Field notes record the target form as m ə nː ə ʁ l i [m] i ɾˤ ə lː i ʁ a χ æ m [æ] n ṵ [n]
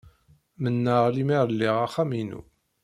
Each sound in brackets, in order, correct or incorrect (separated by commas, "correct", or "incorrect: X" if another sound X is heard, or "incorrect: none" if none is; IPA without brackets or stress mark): correct, incorrect: i, incorrect: none